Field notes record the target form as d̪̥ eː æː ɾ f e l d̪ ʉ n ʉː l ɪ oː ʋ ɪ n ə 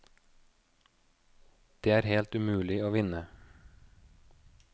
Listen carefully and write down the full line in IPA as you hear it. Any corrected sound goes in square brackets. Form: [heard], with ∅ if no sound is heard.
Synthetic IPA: d̪̥ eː æː ɾ [h] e l [t̪] ʉ [m] ʉː l ɪ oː ʋ ɪ n ə